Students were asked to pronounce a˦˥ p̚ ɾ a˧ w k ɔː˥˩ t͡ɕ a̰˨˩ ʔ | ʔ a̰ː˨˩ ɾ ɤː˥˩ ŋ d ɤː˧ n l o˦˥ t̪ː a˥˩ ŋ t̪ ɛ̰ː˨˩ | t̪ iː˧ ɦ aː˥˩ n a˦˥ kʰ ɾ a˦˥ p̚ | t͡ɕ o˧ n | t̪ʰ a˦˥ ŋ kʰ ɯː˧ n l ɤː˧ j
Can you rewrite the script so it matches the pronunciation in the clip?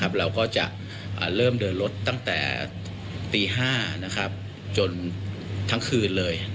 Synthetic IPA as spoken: a˦˥ p̚ ɾ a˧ w k ɔː˥˩ t͡ɕ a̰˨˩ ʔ | ʔ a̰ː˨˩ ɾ ɤː˥˩ m d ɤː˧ n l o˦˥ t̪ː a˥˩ ŋ t̪ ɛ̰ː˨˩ | t̪ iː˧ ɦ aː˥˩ n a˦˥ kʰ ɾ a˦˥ p̚ | t͡ɕ o˧ n | t̪ʰ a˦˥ ŋ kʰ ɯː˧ n l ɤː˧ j